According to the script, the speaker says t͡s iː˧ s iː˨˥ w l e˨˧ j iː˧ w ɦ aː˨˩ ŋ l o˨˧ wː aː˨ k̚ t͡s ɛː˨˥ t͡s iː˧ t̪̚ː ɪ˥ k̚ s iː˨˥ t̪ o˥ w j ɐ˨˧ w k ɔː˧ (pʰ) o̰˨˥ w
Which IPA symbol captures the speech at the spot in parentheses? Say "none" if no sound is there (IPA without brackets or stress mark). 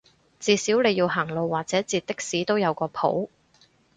pʰ